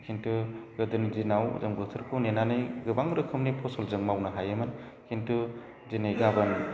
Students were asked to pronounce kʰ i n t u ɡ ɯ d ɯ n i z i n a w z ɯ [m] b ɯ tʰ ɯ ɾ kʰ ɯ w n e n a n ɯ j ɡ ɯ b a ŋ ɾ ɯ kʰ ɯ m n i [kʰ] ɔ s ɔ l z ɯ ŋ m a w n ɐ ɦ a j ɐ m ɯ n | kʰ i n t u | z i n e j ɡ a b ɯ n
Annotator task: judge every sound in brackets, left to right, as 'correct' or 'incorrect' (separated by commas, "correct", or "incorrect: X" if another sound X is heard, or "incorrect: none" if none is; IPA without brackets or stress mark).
incorrect: ŋ, incorrect: pʰ